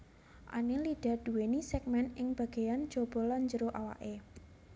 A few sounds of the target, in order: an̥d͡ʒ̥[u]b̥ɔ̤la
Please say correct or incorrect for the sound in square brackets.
incorrect